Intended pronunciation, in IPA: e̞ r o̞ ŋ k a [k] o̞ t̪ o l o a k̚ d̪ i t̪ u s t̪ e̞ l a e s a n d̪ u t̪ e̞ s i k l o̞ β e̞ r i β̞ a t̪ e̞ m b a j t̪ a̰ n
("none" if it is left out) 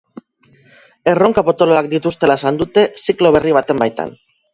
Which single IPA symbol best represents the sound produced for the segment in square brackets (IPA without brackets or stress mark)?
p